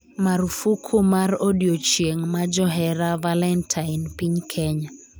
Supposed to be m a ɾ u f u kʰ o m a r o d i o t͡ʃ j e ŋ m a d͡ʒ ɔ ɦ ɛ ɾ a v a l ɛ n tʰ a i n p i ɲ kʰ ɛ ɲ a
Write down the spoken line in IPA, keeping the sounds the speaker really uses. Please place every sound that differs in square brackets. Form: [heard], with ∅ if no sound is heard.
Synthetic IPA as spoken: m a ɾ u f u kʰ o m a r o d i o t͡ʃ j e ŋ m a d͡ʒ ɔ ɦ ɛ ɾ a v a l ɛ n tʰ a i n p i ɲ kʰ ɛ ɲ a